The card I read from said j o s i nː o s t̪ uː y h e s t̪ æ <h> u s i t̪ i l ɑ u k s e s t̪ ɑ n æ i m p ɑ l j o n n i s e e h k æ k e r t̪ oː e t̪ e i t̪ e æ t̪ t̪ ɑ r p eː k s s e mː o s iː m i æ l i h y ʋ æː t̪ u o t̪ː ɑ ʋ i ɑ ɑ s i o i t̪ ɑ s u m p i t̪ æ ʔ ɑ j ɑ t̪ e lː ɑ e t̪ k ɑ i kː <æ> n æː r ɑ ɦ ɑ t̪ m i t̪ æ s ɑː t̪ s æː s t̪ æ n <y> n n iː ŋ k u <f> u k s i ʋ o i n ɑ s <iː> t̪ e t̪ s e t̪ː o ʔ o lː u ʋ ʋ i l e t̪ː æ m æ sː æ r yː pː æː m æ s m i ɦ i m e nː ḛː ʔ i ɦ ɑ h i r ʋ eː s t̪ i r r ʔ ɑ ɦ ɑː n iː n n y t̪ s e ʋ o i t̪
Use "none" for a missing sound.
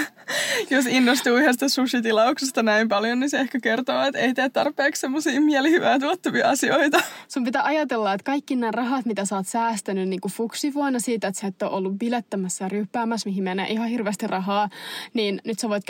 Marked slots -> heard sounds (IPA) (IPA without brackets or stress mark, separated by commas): s, i, y, f, iː